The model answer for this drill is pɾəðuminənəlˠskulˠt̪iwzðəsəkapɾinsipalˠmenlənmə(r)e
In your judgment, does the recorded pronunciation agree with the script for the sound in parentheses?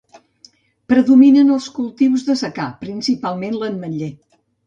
no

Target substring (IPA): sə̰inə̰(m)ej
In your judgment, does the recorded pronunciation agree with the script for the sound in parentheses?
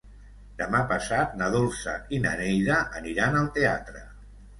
no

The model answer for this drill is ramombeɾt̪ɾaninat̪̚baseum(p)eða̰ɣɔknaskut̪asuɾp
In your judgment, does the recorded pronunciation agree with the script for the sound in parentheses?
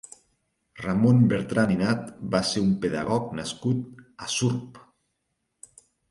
yes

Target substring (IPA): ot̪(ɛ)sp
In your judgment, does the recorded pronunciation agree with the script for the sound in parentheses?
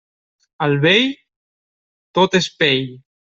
no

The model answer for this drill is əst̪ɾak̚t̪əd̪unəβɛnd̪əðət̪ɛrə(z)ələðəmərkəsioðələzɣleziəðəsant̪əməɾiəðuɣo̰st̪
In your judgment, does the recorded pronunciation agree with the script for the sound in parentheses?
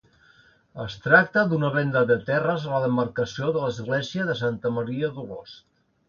yes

